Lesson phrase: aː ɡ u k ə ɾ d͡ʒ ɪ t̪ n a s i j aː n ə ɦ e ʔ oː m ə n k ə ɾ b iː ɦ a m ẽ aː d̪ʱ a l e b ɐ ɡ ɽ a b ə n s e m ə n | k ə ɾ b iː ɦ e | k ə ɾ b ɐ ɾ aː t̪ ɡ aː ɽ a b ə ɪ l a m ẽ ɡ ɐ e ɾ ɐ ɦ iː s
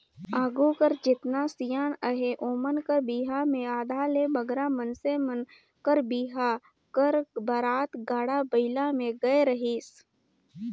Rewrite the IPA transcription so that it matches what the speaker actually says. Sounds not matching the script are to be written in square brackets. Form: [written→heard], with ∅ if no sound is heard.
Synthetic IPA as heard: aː ɡ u k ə ɾ d͡ʒ ɪ t̪ n a s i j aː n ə ɦ e ʔ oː m ə n k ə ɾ b iː ɦ a m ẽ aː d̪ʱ a l e b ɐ ɡ [ɽ→ɾ] a [b→m] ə n s e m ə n | k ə ɾ b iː ɦ [e→a] | k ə ɾ b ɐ ɾ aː t̪ ɡ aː ɽ a b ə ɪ l a m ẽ ɡ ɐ e ɾ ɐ ɦ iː s